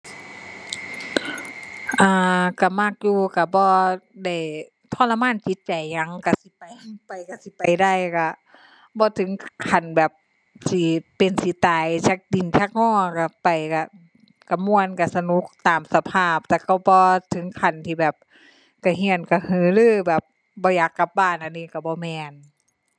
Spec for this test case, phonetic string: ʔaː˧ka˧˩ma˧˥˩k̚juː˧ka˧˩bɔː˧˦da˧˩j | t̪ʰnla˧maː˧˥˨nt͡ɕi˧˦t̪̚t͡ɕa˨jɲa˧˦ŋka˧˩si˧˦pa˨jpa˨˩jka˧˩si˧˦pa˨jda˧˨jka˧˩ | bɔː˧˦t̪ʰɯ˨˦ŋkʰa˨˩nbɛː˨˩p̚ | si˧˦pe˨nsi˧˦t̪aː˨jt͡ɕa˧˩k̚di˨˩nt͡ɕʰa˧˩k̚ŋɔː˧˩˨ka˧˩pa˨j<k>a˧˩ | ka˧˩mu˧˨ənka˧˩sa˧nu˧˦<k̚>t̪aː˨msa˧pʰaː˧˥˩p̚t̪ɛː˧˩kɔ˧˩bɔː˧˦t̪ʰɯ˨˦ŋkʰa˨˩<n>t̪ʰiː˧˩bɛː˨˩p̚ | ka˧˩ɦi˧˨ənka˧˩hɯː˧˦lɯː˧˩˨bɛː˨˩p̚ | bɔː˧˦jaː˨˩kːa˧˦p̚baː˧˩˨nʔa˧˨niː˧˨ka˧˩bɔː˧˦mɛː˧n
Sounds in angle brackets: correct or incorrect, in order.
correct, correct, correct

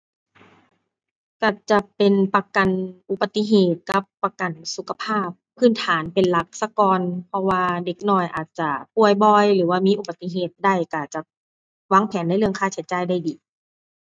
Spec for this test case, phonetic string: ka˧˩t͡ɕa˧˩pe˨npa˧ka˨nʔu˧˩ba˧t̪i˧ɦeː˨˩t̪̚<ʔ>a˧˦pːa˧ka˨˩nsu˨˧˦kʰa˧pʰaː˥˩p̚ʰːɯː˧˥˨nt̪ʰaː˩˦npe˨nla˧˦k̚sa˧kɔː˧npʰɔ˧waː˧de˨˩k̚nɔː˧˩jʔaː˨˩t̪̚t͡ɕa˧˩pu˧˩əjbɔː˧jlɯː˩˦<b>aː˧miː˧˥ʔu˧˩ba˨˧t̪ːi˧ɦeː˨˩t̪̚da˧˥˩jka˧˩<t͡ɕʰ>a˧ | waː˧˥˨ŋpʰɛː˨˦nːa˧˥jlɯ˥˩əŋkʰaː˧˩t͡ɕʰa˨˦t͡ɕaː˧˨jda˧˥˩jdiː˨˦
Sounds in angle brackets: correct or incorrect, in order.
incorrect: k, incorrect: w, incorrect: t͡ɕ

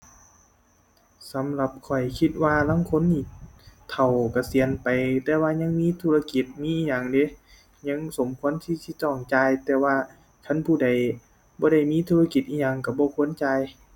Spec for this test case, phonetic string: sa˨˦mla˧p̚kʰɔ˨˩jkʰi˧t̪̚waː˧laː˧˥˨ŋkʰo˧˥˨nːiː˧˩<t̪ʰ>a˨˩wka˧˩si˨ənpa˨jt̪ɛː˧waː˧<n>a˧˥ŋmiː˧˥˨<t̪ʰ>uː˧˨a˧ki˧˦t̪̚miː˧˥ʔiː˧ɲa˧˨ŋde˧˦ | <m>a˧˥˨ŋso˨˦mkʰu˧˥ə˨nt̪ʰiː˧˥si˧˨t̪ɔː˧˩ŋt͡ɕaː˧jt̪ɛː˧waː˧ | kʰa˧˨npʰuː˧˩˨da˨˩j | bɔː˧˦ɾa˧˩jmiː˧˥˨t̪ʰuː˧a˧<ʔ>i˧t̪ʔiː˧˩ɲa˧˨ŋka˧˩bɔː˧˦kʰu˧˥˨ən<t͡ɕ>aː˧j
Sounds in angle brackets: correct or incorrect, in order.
correct, incorrect: ɲ, correct, incorrect: ɲ, incorrect: k, correct

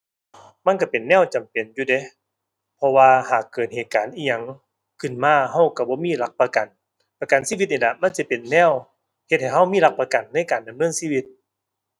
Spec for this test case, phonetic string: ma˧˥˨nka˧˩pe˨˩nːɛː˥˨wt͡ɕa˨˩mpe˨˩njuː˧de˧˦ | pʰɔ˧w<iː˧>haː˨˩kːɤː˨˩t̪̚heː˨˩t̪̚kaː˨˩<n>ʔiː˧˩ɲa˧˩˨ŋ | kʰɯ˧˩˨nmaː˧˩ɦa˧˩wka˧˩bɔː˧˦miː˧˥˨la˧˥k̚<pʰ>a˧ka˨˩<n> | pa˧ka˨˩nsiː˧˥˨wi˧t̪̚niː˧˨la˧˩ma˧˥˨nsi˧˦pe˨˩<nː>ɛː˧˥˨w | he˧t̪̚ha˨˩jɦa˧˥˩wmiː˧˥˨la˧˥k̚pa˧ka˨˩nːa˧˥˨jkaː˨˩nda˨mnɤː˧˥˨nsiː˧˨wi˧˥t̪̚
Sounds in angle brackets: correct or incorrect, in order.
incorrect: aː˧, correct, incorrect: p, correct, correct

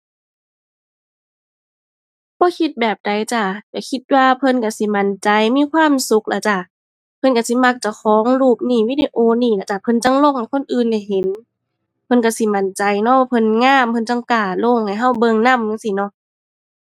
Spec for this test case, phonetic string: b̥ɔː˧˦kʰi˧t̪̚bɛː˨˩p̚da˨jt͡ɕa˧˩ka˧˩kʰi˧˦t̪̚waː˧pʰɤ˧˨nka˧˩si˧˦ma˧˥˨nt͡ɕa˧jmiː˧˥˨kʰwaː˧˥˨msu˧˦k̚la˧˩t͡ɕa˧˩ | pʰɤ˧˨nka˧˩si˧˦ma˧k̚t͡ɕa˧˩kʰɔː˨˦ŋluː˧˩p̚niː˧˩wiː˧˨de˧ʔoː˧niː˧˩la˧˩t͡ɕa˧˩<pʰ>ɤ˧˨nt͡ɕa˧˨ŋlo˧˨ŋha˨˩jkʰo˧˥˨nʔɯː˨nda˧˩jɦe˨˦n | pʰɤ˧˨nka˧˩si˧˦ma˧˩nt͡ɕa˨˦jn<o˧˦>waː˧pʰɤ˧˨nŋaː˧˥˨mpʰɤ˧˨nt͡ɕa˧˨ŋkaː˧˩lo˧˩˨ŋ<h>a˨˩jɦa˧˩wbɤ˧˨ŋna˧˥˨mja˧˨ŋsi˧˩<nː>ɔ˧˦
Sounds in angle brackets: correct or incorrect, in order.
correct, incorrect: ɔ˧˦, correct, incorrect: n

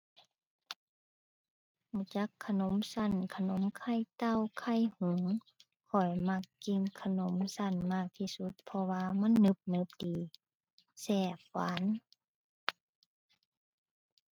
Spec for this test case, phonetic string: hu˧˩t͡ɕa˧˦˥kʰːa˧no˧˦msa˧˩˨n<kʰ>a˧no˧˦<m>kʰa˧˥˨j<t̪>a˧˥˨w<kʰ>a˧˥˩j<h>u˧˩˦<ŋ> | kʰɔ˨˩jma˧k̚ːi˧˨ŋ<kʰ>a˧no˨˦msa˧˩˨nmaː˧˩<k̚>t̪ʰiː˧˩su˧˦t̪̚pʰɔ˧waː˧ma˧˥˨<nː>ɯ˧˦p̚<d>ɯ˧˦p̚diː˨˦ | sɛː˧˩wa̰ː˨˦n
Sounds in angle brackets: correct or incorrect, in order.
correct, correct, correct, correct, correct, correct, correct, correct, correct, incorrect: n

